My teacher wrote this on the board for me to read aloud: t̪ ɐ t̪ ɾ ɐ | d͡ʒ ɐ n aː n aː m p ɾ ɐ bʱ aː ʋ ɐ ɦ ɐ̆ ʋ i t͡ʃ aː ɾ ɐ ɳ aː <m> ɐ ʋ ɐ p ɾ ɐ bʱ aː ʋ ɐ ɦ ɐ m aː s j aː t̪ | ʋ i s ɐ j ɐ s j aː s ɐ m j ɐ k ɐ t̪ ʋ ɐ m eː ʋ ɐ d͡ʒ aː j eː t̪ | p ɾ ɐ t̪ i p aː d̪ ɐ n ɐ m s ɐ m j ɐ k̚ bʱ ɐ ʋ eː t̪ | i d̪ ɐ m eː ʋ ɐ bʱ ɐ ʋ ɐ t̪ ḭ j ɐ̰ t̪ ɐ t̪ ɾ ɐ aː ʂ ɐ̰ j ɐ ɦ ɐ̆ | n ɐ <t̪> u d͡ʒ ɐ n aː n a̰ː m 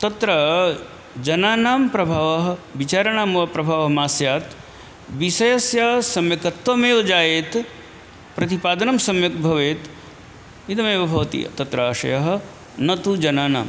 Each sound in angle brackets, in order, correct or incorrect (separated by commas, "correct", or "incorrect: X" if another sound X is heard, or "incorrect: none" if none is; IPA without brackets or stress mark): correct, correct